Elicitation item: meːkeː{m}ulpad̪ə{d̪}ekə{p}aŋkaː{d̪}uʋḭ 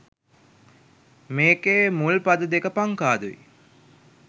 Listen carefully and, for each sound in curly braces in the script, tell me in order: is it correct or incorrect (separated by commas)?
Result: correct, correct, correct, correct